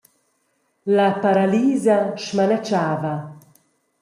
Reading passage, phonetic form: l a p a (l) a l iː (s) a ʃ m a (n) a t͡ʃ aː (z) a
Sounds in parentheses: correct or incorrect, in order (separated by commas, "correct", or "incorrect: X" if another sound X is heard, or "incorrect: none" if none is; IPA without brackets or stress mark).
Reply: incorrect: ɾ, incorrect: z, correct, incorrect: v